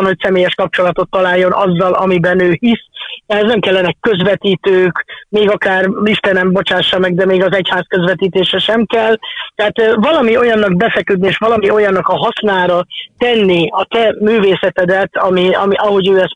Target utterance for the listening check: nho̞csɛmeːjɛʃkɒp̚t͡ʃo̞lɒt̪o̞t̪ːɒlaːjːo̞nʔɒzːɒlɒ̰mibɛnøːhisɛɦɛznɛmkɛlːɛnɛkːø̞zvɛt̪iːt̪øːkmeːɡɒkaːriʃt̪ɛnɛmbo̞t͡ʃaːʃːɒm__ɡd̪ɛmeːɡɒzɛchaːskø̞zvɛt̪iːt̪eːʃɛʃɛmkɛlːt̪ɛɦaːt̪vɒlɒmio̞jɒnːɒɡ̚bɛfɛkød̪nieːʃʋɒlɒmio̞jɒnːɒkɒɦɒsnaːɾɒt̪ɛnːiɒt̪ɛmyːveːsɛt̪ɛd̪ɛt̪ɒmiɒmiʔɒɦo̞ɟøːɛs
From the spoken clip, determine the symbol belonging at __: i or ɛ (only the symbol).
ɛ